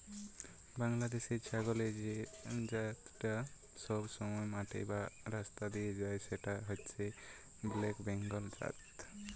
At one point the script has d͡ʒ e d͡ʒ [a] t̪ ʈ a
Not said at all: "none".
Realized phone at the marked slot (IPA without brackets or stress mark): a